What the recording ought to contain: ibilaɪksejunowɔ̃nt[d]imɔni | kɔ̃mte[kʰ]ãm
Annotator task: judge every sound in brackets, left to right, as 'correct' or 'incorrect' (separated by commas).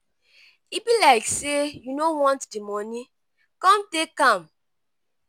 correct, incorrect